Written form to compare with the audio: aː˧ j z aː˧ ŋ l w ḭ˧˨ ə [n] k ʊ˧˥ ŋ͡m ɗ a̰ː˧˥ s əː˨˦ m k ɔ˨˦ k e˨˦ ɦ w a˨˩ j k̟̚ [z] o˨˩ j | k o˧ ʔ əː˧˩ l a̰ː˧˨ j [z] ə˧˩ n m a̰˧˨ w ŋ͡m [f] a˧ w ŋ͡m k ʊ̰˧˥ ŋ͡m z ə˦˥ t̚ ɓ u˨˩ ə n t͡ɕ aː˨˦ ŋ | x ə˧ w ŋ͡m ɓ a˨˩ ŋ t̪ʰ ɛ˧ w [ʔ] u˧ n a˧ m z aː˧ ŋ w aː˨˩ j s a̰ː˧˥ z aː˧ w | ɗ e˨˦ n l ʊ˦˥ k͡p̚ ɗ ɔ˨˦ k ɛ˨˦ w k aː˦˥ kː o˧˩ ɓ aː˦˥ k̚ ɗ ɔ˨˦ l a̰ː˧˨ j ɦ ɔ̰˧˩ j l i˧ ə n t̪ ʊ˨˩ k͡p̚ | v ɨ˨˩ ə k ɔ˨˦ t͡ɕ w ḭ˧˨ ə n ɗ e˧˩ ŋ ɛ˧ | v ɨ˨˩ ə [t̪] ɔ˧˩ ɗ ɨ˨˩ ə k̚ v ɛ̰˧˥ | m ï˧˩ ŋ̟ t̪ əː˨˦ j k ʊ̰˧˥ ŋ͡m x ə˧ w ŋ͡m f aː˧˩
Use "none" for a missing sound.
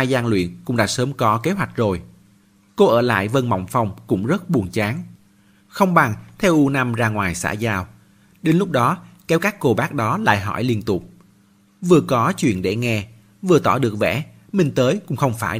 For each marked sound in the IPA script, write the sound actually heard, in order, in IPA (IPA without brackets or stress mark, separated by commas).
n, z, v, f, ʔ, t̪